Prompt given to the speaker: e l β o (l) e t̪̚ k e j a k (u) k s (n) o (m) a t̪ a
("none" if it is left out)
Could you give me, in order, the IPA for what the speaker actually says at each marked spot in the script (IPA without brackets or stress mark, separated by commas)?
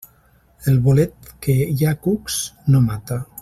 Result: l, u, n, m